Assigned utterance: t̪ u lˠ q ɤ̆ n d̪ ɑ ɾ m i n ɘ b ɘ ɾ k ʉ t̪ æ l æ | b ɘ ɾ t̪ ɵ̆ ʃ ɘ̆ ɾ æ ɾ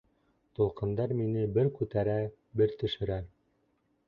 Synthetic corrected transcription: t̪ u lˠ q ɤ̆ n d̪ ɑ ɾ m i n ɘ b ɘ ɾ k ʉ t̪ æ ɾ æ | b ɘ ɾ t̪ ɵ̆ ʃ ɘ̆ ɾ æ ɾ